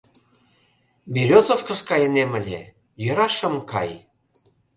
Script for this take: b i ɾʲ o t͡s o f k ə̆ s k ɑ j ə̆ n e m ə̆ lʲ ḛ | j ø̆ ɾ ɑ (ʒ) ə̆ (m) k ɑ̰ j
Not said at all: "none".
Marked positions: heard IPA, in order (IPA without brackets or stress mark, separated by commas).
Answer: ʃ, m